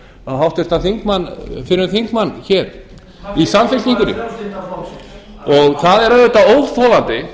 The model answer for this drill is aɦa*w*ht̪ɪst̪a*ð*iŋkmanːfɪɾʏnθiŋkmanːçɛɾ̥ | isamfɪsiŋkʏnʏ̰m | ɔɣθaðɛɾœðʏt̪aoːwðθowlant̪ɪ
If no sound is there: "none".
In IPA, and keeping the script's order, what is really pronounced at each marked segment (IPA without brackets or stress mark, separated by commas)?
w, θ